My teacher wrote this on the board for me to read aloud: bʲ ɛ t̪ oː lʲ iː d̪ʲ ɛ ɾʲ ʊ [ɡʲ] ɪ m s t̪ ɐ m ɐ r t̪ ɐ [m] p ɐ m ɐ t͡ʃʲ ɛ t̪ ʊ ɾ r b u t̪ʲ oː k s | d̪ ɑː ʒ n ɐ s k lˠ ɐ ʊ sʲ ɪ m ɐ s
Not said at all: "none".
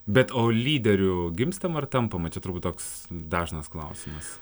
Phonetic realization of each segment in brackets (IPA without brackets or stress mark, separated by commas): ɡʲ, m